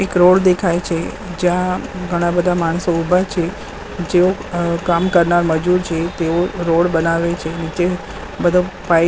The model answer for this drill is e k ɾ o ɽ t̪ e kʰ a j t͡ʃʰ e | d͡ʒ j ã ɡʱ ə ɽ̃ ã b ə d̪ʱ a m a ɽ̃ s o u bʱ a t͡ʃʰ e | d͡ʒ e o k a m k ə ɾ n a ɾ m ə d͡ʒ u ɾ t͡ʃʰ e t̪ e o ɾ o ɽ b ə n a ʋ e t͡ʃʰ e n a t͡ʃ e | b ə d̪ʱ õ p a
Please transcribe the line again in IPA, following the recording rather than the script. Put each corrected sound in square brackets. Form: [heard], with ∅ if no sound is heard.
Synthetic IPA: e k ɾ o ɽ [d̪] e kʰ a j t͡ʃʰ e | d͡ʒ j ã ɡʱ ə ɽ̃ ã b ə d̪ʱ a m a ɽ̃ s o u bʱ a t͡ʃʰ e | d͡ʒ e o k a m k ə ɾ n a ɾ m ə d͡ʒ u ɾ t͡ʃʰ e t̪ e o ɾ o ɽ b ə n a ʋ e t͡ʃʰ e n [i] t͡ʃ e | b ə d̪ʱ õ p a